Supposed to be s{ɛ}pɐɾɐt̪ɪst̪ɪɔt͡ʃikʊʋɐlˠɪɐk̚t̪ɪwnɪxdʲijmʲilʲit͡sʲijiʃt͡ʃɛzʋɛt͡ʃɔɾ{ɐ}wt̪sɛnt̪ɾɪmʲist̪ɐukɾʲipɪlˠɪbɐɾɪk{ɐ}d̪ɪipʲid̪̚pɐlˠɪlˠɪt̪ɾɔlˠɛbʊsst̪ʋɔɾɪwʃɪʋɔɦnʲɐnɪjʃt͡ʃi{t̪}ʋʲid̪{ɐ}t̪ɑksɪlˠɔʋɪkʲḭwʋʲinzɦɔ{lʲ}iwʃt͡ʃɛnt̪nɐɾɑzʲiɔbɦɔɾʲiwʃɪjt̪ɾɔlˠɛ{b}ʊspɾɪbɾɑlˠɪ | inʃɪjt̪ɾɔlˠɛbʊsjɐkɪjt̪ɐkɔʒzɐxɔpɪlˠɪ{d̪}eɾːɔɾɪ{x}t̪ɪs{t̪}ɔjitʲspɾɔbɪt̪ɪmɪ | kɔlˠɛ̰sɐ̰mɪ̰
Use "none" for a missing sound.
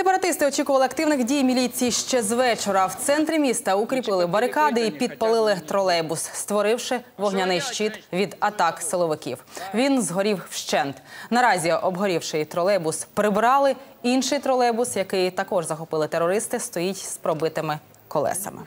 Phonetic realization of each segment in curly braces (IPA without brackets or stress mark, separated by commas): e, ɐ, ɑ, t̪, ɐ, ɾʲ, b, t̪, s, t̪